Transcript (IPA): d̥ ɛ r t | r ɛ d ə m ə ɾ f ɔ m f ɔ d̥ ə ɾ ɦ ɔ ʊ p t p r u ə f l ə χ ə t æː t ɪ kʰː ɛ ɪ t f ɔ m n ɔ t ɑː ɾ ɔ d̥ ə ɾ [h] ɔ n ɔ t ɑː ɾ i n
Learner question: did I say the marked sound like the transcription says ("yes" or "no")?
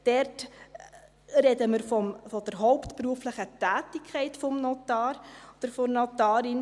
no